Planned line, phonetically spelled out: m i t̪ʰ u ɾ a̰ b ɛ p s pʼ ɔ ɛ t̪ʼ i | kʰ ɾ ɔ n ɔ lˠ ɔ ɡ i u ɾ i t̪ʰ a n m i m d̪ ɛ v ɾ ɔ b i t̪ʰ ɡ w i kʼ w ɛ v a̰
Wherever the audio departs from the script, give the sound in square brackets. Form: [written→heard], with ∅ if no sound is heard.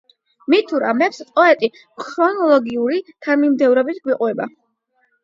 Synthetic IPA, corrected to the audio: m i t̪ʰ u ɾ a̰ [b→m] ɛ p s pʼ ɔ ɛ t̪ʼ i | kʰ ɾ ɔ n ɔ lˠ ɔ ɡ i u ɾ i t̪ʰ a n m i m d̪ ɛ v ɾ ɔ b i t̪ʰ ɡ w i [kʼ→qʼ] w ɛ [v→b] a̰